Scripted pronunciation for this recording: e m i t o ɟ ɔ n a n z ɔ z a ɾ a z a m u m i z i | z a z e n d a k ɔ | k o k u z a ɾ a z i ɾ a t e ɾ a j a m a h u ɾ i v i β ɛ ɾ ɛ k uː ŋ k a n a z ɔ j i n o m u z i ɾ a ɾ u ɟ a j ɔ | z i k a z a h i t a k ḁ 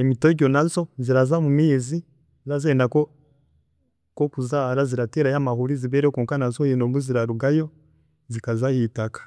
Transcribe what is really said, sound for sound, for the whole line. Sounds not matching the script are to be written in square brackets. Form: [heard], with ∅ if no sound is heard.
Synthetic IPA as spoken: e m i t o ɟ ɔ n a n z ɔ z [i] ɾ a z a m u m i z i | z a z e n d a k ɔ | k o k u z a ɾ a z i ɾ a t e ɾ a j a m a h u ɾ i [z] i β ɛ ɾ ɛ k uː ŋ k a n a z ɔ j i n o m u z i ɾ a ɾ u [ɡ] a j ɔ | z i k a z a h i t a k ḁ